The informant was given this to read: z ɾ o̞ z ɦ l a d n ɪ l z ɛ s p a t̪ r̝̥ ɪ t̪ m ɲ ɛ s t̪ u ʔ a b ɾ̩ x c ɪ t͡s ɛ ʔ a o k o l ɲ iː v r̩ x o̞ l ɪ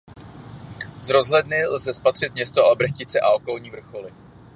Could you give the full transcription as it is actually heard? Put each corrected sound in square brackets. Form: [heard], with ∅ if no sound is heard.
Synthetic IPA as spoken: z ɾ o̞ z ɦ l [ɛ] d n ɪ l z ɛ s p a t̪ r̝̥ ɪ t̪ m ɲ ɛ s t̪ [o] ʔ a b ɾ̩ x c ɪ t͡s ɛ ʔ a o k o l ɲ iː v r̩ x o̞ l ɪ